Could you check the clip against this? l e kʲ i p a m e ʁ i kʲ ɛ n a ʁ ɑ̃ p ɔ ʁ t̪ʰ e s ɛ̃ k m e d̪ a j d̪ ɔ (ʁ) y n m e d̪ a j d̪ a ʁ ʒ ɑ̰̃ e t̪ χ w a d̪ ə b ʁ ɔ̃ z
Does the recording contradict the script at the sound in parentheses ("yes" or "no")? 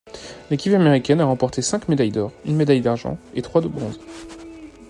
no